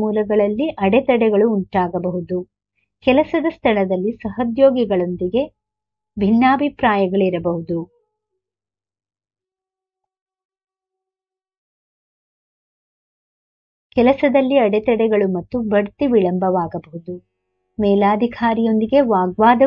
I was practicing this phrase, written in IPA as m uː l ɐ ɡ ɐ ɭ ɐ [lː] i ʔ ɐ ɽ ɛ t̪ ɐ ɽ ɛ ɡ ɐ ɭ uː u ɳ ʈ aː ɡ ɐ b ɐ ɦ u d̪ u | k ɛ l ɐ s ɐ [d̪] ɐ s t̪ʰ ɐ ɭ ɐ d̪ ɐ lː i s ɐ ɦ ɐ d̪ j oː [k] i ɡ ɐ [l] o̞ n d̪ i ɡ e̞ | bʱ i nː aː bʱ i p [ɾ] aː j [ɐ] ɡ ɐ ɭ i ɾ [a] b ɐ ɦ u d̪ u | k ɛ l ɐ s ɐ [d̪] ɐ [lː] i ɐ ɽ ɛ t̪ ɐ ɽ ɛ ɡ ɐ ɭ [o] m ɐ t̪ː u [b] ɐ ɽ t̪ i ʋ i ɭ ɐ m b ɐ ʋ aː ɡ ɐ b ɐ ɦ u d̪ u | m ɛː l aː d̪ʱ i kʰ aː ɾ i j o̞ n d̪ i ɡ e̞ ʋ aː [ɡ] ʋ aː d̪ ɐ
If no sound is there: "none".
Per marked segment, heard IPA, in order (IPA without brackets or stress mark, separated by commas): lː, d̪, ɡ, ɭ, ɾ, ɐ, ɐ, d̪, lː, u, b, ɡ